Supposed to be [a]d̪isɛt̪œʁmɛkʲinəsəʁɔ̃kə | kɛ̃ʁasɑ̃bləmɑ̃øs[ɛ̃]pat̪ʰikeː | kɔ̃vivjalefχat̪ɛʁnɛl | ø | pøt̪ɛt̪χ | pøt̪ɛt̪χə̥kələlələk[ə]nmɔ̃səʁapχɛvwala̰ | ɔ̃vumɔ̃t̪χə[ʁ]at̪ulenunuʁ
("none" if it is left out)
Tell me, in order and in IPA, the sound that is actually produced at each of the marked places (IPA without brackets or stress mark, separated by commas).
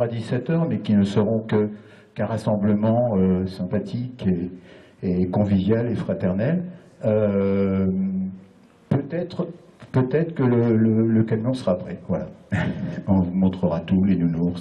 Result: a, ɛ̃, a, ʁ